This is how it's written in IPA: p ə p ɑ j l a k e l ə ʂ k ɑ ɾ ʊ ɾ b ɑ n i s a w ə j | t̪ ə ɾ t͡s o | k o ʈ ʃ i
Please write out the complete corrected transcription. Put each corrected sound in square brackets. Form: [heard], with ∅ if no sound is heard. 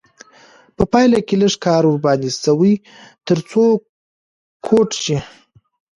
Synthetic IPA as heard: p ə p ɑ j l a k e l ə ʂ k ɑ ɾ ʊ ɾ b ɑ n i s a w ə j | t̪ ə ɾ t͡s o | [kʰ] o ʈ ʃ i